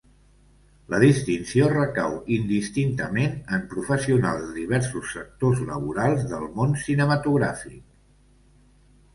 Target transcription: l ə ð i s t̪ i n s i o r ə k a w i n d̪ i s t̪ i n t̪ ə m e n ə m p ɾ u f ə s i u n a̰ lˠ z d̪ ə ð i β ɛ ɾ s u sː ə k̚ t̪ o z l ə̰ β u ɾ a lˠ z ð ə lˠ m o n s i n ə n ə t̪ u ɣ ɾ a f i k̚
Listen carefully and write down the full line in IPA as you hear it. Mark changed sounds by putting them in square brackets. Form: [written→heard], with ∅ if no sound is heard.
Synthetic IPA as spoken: l ə ð i s t̪ i n s i o r ə k a w i n d̪ i s t̪ i n t̪ ə m e n ə m p ɾ u f ə s i u n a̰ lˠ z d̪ ə ð i β ɛ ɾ s u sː ə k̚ t̪ o z l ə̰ β u ɾ a lˠ z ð ə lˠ m o n s i n ə [n→m] ə t̪ u ɣ ɾ a f i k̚